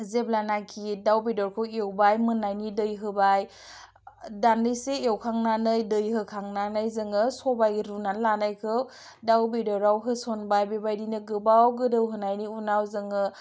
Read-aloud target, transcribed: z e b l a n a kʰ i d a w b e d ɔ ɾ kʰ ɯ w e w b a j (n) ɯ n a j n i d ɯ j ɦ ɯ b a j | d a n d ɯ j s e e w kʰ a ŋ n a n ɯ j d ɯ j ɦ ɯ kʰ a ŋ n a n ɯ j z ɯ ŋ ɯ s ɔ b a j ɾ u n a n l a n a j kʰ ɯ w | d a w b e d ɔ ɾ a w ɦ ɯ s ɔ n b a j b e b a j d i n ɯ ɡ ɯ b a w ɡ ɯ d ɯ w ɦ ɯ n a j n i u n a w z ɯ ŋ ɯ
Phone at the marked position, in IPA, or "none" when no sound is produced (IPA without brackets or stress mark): m